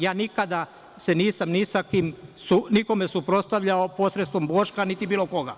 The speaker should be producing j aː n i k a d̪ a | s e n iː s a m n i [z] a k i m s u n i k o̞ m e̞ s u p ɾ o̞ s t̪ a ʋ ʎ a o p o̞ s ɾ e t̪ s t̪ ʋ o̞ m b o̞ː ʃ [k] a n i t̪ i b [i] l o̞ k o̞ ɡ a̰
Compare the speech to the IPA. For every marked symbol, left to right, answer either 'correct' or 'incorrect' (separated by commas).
incorrect, correct, incorrect